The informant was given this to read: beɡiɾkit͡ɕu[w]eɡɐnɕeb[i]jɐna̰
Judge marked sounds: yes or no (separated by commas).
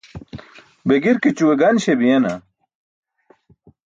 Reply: yes, yes